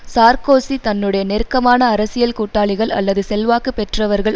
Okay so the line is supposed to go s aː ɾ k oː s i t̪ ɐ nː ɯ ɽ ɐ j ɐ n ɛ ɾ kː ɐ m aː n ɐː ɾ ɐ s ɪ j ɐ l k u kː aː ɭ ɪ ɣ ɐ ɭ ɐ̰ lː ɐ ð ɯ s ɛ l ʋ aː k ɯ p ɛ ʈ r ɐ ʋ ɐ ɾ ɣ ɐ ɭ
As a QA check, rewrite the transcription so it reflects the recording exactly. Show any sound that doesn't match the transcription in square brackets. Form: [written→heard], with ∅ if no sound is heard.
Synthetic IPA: s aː ɾ k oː s i t̪ ɐ nː ɯ ɽ ɐ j ɐ n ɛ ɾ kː ɐ m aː n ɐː ɾ ɐ s ɪ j ɐ l k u [kː→ʈː] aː ɭ ɪ ɣ ɐ ɭ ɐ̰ lː ɐ ð ɯ s ɛ l ʋ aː k ɯ p ɛ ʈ r ɐ ʋ ɐ ɾ ɣ ɐ ɭ